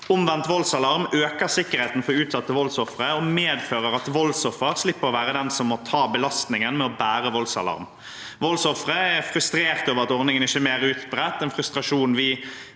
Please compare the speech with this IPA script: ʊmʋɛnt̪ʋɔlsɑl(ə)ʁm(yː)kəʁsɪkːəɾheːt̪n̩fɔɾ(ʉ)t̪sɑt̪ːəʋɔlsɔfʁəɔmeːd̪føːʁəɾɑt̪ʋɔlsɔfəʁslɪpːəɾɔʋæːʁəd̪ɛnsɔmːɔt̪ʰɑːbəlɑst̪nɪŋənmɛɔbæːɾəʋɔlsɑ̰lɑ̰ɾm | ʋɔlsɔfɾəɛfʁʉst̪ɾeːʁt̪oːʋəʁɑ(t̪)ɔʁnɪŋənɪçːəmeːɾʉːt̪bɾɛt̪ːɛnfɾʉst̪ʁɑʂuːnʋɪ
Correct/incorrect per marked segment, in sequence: incorrect, incorrect, incorrect, correct

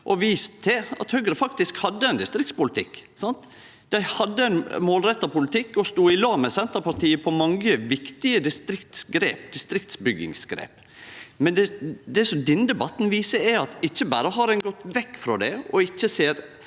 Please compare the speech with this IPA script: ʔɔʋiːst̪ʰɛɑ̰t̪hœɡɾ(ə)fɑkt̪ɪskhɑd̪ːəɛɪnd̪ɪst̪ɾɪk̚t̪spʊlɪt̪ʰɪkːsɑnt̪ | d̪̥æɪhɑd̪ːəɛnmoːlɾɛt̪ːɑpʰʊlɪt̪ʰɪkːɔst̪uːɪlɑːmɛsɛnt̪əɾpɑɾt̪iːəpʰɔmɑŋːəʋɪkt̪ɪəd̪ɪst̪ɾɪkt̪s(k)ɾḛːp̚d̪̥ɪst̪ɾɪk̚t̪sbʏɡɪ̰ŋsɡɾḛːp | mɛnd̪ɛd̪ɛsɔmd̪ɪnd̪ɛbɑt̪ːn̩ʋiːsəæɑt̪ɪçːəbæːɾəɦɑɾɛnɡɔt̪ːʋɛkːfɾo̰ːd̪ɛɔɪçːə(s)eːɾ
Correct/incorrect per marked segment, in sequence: correct, incorrect, correct

